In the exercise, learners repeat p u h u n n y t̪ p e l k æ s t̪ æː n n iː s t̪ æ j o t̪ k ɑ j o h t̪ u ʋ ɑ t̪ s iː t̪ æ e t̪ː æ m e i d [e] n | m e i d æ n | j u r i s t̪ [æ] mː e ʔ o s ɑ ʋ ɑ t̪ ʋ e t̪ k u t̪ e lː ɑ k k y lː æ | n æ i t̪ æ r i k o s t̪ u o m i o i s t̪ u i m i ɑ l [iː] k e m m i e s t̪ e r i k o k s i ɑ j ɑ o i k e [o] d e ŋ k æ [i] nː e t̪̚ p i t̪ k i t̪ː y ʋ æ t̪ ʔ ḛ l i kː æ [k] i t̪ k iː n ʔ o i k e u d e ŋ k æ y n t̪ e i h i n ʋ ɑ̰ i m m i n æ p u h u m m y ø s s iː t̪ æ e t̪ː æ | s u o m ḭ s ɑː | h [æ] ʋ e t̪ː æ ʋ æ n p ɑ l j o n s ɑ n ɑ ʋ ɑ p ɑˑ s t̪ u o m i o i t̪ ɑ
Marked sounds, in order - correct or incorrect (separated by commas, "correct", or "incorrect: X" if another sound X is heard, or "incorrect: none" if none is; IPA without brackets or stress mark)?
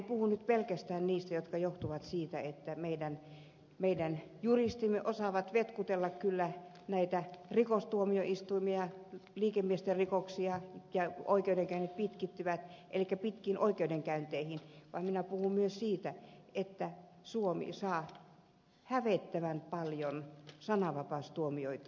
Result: incorrect: æ, incorrect: i, correct, incorrect: u, incorrect: y, incorrect: p, correct